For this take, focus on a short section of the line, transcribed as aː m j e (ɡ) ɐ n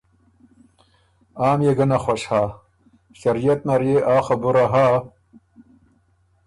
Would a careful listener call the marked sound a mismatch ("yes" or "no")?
no